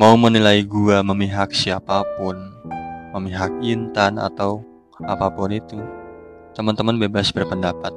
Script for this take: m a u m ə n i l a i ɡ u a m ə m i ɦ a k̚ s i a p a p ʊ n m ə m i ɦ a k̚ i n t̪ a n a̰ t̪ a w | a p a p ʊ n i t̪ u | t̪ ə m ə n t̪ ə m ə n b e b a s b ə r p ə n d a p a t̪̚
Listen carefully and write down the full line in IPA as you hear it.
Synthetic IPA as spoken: m a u m ə n i l a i ɡ u a m ə m i ɦ a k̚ s i a p a p ʊ n m ə m i ɦ a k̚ i n t̪ a n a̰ t̪ a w | a p a p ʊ n i t̪ u | t̪ ə m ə n t̪ ə m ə n b e b a s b ə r p ə n d a p a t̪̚